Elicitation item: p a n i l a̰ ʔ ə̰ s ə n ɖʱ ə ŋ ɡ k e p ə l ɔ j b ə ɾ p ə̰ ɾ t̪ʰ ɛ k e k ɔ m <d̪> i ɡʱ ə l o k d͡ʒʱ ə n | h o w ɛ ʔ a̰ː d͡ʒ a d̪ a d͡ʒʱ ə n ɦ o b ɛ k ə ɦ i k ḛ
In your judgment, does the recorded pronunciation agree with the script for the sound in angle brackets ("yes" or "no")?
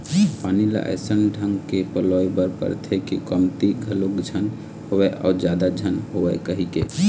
no